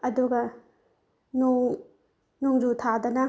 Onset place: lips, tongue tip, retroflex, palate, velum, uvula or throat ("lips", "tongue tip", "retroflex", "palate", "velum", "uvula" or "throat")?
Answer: tongue tip